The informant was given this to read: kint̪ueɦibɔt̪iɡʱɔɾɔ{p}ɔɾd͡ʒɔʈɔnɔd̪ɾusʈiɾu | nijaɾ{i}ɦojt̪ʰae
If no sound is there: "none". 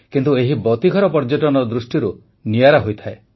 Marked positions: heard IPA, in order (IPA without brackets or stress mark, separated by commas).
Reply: p, a